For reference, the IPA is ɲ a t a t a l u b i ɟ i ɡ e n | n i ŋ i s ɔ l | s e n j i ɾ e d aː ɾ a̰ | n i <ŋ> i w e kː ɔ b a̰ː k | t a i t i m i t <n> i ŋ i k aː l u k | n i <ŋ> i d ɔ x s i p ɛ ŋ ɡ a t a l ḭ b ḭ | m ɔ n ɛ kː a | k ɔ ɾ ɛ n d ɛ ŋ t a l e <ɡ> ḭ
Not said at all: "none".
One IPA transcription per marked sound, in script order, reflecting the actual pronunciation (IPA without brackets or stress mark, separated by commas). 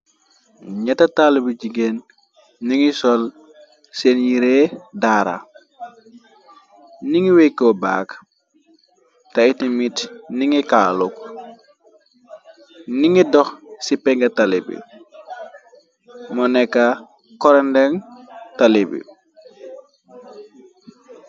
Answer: ŋ, n, ŋ, b